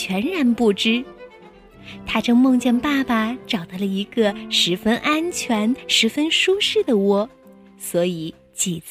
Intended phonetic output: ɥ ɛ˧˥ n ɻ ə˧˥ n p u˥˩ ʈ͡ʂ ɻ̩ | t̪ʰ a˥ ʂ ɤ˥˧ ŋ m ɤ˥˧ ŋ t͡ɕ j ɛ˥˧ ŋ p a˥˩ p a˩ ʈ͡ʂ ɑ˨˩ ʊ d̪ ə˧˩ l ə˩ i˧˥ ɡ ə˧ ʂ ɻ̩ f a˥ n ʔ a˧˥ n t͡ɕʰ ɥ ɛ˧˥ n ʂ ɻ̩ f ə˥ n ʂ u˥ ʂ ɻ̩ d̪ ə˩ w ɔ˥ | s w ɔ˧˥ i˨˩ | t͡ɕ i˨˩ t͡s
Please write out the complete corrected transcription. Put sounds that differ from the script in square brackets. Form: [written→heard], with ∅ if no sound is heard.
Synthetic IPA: ɥ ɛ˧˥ n ɻ [ə˧˥→a˧˥] n p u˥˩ ʈ͡ʂ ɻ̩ | t̪ʰ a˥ [ʂ→ʈ͡ʂ] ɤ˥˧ ŋ m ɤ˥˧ ŋ t͡ɕ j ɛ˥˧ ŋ p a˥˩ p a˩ ʈ͡ʂ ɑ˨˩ ʊ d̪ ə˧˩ l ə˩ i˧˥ ɡ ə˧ ʂ ɻ̩ f [a˥→ə˥] n ʔ [a˧˥→a˥] n t͡ɕʰ ɥ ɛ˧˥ n ʂ ɻ̩ f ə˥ n ʂ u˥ ʂ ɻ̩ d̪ ə˩ w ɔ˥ | s w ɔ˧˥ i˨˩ | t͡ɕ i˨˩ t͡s